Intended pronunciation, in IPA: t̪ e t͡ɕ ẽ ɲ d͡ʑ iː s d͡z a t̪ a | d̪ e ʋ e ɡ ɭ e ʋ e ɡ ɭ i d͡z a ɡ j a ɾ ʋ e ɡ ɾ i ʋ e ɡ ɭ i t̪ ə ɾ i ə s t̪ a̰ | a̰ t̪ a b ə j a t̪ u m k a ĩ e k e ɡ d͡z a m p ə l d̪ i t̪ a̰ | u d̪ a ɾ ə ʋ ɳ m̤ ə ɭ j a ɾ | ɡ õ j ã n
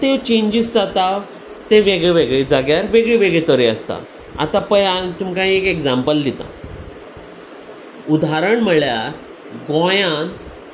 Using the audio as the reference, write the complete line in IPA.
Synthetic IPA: t̪ e t͡ɕ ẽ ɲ d͡ʑ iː s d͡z a t̪ a | t̪ e ʋ e ɡ ɭ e ʋ e ɡ ɭ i d͡z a ɡ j a ɾ ʋ e ɡ ɭ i ʋ e ɡ ɭ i t̪ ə ɾ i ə s t̪ a̰ | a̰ t̪ a p ə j a t̪ u m k a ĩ e k e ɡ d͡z a m p ə l d̪ i t̪ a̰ | u d̪ a ɾ ə ɳ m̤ ə ɭ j a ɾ | ɡ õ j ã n

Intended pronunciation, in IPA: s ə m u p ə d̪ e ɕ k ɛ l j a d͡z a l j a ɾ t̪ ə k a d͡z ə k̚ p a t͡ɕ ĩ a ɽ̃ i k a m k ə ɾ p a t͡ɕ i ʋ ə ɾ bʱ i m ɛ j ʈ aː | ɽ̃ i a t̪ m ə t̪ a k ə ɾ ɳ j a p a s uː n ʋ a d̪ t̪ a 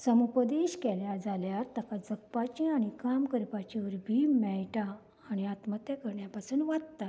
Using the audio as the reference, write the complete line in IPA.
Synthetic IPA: s ə m u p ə d̪ e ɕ k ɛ l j a d͡z a l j a ɾ t̪ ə k a d͡z ə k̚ p a t͡ɕ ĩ a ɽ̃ i k a m k ə ɾ p a t͡ɕ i ʋ ə ɾ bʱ i m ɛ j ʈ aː | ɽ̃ i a t̪ m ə t̪ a k ə ɾ ɳ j a p a s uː n ʋ a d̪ t̪ a

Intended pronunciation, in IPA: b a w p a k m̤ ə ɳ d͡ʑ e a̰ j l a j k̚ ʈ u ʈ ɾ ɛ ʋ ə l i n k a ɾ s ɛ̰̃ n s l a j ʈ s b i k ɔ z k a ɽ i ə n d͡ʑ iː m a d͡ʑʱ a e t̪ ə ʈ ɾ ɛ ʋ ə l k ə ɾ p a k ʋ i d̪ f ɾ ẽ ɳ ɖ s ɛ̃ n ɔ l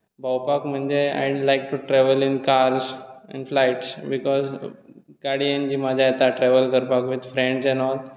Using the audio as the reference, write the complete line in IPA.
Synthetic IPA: b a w p a k m̤ ə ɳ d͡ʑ e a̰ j l a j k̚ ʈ u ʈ ɾ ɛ ʋ ə l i n k a ɾ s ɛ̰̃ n f l a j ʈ s b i k ɔ z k a ɽ i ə n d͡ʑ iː m a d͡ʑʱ a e t̪ a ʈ ɾ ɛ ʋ ə l k ə ɾ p a k ʋ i d̪ f ɾ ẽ ɳ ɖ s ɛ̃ n ɔ l

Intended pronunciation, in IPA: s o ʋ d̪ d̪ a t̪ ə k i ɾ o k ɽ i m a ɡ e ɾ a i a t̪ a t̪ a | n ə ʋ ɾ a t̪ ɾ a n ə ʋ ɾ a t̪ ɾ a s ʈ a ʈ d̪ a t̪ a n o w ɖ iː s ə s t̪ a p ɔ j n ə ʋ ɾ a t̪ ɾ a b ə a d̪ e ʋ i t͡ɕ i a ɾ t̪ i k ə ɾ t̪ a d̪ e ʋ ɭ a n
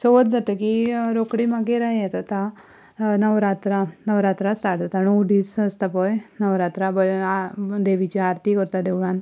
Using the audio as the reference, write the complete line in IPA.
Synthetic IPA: s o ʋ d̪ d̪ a t̪ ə k i ɾ o k ɽ i m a ɡ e ɾ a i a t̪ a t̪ a | n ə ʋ ɾ a t̪ ɾ a n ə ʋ ɾ a t̪ ɾ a s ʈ a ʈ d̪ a t̪ a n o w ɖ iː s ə s t̪ a p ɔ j n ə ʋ ɾ a t̪ ɾ a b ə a d̪ e ʋ i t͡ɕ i a ɾ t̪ i k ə ɾ t̪ a d̪ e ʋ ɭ a n

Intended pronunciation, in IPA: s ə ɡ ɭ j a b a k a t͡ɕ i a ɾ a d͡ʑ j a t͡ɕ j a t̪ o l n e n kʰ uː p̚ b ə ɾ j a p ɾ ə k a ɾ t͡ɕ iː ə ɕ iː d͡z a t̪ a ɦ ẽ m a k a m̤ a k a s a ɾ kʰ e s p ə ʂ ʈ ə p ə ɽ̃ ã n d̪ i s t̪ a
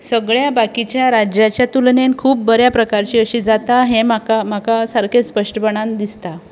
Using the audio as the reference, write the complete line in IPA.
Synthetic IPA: s ə ɡ ɭ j a b a k i t͡ɕ j a ɾ a d͡ʑ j a t͡ɕ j a t̪ u l n e n kʰ uː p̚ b ə ɾ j a p ɾ ə k a ɾ t͡ɕ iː ə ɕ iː d͡z a t̪ a ɦ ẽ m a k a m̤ a k a s a ɾ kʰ e s p ə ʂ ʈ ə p ə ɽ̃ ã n d̪ i s t̪ a

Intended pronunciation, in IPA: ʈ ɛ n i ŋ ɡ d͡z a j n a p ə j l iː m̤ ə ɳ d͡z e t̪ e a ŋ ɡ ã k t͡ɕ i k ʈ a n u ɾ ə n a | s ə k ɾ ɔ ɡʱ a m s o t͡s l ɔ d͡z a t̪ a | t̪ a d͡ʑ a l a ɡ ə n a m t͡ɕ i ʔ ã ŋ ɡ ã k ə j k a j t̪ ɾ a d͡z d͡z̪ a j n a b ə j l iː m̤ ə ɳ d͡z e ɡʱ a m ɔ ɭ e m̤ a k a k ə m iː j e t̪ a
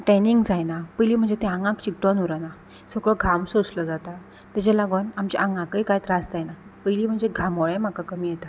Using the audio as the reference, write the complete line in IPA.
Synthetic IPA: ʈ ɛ n i ŋ ɡ d͡z a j n a p ə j l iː m̤ ə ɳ d͡z e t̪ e a ŋ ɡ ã k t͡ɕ i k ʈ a n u ɾ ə n a | s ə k ɭ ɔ ɡʱ a m s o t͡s l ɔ d͡z a t̪ a | t̪ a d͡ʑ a l a ɡ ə n a m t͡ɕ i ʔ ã ŋ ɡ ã k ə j k a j t̪ ɾ a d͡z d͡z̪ a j n a p ə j l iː m̤ ə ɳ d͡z e ɡʱ a m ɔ ɭ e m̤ a k a k ə m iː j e t̪ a

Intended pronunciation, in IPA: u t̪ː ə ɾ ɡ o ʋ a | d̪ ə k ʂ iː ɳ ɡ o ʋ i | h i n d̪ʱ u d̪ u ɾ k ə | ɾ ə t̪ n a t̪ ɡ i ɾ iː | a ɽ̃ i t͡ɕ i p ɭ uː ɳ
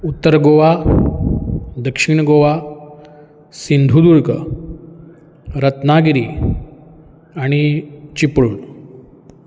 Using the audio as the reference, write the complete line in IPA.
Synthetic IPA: u t̪ː ə ɾ ɡ o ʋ a | d̪ ə k ʂ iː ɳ ɡ o ʋ a | s i n d̪ʱ u d̪ u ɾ k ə | ɾ ə t̪ n a ɡ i ɾ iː | a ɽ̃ i t͡ɕ i p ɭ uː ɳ

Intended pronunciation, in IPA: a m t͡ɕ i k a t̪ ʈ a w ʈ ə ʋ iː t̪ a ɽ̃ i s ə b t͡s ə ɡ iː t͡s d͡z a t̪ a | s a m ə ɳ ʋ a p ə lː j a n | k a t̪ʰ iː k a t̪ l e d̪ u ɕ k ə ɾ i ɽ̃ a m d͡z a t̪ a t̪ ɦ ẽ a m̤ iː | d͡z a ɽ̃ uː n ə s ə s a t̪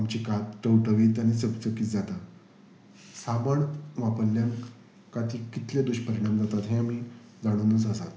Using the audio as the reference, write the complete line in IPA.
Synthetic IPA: a m t͡ɕ i k a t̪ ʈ ə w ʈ ə ʋ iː t̪ a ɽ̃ i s ə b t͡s ə k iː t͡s d͡z a t̪ a | s a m ə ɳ ʋ a p ə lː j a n | k a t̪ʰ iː k i t̪ l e d̪ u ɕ p ə ɾ i ɽ̃ a m d͡z a t̪ a t̪ ɦ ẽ a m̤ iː | d͡z a ɽ̃ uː n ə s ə s a t̪

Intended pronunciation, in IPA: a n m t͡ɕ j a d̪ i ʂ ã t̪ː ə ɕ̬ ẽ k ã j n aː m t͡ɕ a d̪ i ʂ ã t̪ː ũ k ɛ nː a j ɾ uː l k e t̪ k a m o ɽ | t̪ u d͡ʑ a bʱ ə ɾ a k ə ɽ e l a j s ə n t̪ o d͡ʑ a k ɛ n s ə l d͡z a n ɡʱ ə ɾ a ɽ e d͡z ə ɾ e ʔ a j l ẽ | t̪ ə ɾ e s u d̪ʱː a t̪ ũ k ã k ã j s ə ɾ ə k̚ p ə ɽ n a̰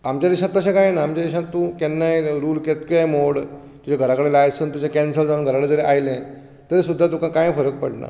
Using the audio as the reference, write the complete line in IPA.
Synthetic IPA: a m t͡ɕ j a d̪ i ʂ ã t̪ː ə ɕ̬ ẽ k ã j n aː m t͡ɕ a d̪ i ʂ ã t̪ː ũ k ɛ nː a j ɾ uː l k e t̪ k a m o ɽ | t̪ u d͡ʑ a ɡʱ ə ɾ a k ə ɽ e l a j s ə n t̪ u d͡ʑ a k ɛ n s ə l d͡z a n ɡʱ ə ɾ a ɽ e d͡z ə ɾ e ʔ a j l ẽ | t̪ ə ɾ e s u d̪ʱː a t̪ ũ k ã k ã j f ə ɾ ə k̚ p ə ɽ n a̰

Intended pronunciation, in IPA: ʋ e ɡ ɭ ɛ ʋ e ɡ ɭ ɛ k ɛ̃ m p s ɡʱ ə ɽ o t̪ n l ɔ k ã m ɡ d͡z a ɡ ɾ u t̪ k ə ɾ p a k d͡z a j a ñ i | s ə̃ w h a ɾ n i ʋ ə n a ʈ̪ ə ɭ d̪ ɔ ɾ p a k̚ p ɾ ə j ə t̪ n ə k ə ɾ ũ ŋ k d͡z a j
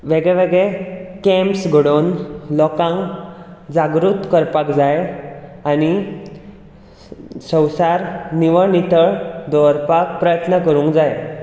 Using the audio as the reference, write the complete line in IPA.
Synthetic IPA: ʋ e ɡ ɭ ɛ ʋ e ɡ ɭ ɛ k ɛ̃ m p s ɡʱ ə ɽ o n l ɔ k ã ŋ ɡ d͡z a ɡ ɾ u t̪ k ə ɾ p a k d͡z a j a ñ i | s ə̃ w s a ɾ n i ʋ ə n i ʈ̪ ə ɭ d̪ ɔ ɾ p a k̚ p ɾ ə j ə t̪ n ə k ə ɾ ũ ŋ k d͡z a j

